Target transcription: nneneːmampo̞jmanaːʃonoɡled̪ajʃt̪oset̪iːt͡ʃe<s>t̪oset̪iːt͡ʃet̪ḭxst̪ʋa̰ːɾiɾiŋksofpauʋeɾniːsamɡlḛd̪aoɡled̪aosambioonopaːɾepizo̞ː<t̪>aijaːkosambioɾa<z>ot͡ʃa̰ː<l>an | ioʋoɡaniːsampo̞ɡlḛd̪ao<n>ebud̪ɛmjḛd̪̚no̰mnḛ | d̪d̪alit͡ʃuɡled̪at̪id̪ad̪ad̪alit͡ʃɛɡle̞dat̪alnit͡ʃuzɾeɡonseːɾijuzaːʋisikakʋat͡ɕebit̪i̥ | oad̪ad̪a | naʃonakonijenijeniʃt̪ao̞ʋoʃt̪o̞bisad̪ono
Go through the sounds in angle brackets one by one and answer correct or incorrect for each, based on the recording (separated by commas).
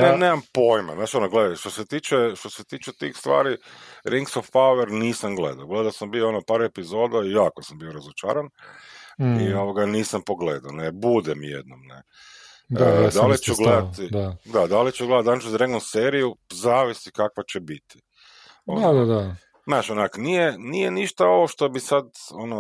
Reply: incorrect, incorrect, correct, incorrect, correct